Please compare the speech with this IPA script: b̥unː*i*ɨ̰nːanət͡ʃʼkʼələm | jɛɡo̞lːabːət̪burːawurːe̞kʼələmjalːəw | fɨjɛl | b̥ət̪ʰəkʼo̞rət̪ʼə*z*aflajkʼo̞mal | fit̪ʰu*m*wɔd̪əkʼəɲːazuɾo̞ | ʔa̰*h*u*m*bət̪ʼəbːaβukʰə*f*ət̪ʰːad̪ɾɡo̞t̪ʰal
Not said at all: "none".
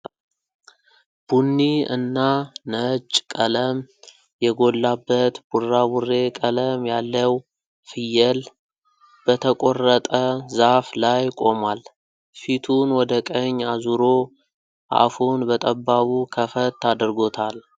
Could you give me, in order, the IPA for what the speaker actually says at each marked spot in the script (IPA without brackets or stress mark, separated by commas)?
i, z, n, f, n, f